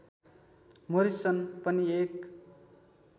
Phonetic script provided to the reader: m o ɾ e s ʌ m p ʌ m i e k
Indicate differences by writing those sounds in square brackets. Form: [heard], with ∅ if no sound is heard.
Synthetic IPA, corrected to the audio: m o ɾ [i] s ʌ [n] p ʌ [n] i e k